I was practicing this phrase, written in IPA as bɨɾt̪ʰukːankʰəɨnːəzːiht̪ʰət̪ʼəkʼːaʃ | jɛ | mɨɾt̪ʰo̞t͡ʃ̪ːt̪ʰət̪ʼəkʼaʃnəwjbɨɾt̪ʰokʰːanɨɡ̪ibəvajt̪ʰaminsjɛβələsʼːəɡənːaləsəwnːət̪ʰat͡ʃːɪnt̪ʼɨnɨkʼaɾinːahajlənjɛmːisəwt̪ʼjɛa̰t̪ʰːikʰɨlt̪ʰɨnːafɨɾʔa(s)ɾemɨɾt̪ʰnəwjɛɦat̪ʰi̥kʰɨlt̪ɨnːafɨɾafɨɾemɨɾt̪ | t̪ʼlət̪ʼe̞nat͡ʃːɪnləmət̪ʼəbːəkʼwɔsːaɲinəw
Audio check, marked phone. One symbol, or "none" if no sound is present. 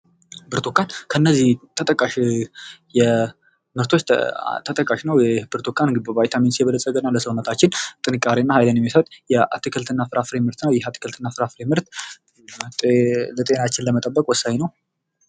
f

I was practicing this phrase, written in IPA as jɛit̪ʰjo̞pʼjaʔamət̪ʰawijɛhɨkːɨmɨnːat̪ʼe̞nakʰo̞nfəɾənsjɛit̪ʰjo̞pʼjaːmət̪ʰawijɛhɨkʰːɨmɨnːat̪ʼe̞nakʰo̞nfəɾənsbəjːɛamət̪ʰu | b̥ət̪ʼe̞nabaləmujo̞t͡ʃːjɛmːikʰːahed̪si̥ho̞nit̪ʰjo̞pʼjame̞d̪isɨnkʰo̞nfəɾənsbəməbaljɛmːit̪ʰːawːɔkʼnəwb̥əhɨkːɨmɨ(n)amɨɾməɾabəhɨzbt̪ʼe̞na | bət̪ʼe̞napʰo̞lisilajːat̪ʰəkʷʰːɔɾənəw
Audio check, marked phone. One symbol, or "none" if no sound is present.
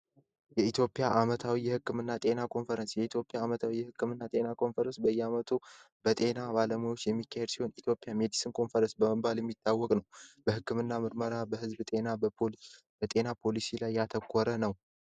nː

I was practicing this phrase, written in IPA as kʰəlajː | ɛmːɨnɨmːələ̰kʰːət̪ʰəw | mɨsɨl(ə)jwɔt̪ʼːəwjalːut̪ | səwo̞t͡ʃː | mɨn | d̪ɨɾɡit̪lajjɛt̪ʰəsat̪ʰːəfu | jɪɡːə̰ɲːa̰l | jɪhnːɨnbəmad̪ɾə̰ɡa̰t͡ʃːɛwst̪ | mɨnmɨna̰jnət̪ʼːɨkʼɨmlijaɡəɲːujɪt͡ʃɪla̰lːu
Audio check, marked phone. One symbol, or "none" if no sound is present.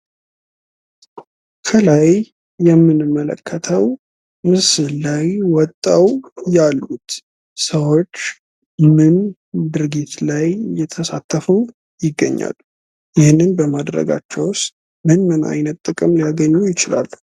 a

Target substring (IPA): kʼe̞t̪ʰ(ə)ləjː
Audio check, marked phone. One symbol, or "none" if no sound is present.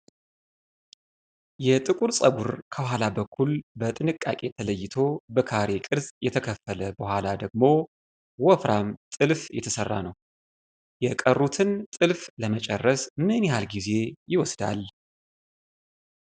ə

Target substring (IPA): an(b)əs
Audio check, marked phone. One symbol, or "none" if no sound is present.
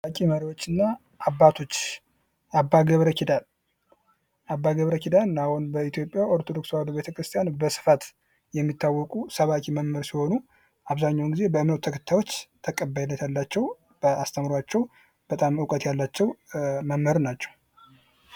b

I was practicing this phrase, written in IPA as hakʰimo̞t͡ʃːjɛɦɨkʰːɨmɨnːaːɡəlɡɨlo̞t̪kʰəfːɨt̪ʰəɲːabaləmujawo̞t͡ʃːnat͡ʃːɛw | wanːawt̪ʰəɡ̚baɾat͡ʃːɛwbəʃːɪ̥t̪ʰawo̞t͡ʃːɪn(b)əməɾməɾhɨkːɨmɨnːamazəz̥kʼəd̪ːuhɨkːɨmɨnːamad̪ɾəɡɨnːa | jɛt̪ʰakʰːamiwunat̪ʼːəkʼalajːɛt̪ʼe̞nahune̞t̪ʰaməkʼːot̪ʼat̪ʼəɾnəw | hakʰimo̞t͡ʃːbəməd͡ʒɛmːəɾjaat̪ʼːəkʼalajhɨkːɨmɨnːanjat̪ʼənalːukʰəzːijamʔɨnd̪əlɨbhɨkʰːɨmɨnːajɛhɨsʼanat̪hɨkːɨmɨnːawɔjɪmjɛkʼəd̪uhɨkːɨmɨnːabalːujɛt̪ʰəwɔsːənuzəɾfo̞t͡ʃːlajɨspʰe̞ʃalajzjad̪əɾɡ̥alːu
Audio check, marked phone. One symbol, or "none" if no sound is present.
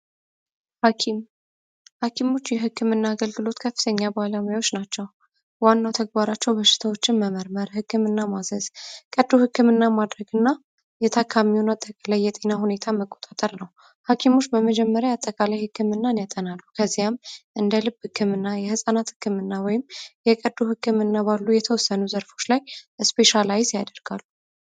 m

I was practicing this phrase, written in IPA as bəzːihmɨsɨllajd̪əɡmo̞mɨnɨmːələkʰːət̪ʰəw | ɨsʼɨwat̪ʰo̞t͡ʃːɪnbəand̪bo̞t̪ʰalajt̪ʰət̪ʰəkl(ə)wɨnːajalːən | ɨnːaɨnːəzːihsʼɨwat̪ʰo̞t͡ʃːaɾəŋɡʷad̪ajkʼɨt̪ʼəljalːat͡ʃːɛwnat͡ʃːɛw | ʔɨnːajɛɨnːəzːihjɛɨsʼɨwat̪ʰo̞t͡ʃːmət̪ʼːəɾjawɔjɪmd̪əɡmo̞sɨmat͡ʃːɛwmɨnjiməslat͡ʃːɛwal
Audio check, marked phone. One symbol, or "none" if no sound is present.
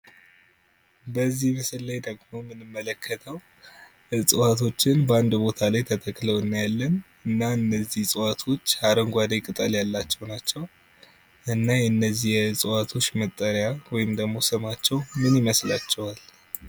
ə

